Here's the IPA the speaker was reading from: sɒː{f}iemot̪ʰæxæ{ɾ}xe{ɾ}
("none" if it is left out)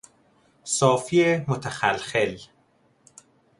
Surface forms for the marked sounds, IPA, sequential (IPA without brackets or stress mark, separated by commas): f, l, l